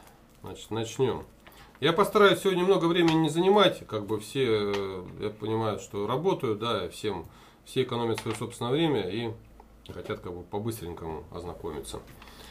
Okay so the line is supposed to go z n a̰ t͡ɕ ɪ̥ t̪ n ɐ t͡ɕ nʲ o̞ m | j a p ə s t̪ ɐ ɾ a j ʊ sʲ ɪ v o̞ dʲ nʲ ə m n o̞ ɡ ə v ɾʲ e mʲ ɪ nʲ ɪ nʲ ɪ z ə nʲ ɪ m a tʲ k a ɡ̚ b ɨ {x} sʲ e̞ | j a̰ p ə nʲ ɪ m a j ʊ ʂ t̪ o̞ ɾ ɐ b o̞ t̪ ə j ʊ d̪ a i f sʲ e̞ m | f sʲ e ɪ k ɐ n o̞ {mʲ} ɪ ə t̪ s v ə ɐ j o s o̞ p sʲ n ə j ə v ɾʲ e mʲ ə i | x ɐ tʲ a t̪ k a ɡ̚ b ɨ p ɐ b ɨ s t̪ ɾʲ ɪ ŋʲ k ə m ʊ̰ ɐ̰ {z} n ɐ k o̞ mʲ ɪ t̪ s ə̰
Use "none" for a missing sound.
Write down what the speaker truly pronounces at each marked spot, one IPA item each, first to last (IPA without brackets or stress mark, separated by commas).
f, mʲ, z